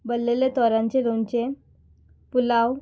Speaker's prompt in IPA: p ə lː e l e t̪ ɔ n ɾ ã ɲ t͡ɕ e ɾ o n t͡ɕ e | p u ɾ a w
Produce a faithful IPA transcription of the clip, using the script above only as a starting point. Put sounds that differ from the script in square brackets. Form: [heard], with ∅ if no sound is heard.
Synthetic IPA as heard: [b] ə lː e l e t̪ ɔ [∅] ɾ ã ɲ t͡ɕ e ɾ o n t͡ɕ e | p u [l] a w